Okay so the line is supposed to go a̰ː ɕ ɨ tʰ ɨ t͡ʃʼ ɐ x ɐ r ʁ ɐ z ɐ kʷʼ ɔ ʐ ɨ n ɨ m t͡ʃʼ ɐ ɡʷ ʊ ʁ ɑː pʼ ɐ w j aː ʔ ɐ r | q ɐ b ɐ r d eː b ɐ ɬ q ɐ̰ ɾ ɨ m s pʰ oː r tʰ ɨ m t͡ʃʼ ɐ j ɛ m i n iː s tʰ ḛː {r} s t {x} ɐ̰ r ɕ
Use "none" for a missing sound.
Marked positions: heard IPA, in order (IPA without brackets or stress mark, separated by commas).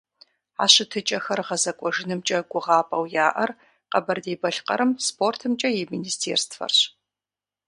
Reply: r, f